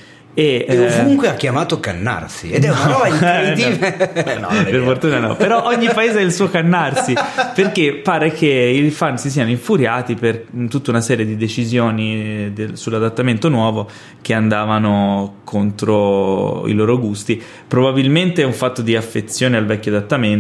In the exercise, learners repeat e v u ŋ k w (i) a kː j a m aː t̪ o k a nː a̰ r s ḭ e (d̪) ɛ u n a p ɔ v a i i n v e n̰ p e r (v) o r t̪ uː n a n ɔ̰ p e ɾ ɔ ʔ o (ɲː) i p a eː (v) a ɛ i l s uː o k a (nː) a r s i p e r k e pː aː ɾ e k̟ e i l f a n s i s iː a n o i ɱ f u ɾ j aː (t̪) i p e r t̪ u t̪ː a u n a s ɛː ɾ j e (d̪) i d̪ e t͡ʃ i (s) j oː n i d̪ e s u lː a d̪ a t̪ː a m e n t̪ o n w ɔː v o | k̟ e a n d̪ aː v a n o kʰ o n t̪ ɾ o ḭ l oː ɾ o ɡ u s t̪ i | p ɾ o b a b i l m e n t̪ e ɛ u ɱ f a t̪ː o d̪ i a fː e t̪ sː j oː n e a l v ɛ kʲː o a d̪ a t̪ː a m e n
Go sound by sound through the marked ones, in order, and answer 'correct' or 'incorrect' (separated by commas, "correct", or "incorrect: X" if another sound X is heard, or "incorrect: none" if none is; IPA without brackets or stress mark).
incorrect: e, correct, incorrect: f, correct, incorrect: z, correct, correct, correct, incorrect: z